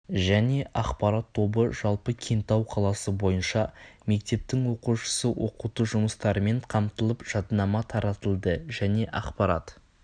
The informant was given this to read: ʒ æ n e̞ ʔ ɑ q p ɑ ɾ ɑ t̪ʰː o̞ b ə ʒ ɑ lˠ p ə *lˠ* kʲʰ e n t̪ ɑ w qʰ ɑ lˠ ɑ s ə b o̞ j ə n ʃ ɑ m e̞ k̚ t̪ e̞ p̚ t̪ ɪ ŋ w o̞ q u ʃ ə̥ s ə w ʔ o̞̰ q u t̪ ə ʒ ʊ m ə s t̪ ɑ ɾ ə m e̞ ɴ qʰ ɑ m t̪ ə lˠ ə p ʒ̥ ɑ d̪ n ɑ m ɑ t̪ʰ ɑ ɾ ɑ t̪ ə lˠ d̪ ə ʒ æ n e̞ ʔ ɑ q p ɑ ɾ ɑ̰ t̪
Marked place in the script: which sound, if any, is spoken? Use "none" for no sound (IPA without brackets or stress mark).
none